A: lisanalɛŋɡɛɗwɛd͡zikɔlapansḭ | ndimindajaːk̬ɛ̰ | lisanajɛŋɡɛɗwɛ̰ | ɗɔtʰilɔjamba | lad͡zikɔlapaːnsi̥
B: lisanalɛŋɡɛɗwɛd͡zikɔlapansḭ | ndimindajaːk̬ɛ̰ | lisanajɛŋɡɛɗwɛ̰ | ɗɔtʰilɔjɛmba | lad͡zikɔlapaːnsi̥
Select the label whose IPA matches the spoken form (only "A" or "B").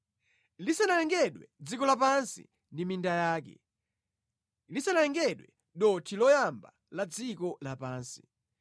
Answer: A